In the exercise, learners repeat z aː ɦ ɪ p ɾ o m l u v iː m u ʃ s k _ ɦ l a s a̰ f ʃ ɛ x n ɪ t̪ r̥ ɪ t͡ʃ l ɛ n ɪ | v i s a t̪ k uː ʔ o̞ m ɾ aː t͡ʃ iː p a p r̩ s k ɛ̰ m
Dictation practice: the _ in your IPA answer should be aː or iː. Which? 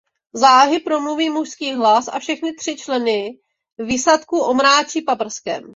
iː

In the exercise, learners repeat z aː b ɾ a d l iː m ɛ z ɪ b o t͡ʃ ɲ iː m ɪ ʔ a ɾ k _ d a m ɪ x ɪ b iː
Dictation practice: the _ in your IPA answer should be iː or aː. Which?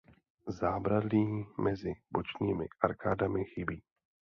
aː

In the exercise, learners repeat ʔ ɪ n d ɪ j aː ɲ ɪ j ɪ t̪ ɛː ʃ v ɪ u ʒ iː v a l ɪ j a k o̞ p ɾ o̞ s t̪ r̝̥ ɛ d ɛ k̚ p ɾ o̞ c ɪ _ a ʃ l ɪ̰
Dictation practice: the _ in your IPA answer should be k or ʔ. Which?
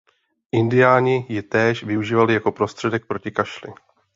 k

